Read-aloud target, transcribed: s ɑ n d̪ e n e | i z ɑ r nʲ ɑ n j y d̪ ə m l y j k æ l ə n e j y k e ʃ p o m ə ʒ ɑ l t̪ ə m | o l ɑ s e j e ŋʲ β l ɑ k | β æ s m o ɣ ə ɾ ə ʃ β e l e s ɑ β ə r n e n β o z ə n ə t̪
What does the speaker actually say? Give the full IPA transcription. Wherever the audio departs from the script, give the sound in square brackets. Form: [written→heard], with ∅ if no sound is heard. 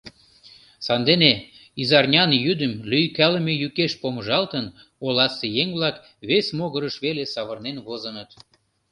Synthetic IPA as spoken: s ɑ n d̪ e n e | i z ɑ r nʲ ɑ n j y d̪ ə m l y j k æ l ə [n→m] e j y k e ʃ p o m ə ʒ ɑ l t̪ ə [m→n] | o l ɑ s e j e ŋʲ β l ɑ k | β [æ→e] s m o ɣ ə ɾ ə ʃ β e l e s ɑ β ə r n e n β o z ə n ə t̪